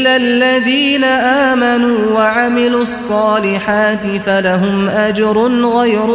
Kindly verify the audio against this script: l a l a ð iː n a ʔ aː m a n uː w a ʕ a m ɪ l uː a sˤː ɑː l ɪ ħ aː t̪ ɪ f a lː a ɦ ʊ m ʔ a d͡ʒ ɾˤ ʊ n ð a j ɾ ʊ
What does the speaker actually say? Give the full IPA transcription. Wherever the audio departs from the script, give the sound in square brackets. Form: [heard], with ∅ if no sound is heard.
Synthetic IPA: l a [lː] a ð iː n a ʔ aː m a n uː w a ʕ a m ɪ l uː [ɑ] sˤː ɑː l ɪ ħ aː t̪ ɪ f a [l] a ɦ ʊ m ʔ a d͡ʒ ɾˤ ʊ n [ɣ] a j ɾ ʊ